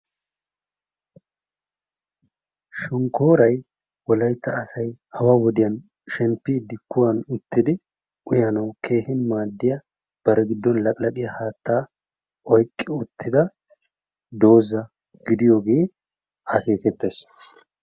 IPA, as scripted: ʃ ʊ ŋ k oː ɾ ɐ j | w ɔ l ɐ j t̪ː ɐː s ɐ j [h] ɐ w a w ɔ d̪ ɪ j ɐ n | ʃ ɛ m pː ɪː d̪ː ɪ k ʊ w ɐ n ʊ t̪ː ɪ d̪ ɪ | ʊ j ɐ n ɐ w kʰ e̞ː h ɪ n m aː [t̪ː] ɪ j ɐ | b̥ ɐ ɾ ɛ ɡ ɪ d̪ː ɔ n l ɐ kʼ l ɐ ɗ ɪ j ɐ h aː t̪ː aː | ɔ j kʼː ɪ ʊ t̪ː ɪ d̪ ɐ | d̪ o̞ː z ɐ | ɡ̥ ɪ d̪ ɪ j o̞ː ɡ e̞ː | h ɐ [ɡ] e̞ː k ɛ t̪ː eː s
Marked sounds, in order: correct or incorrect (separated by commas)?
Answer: correct, incorrect, incorrect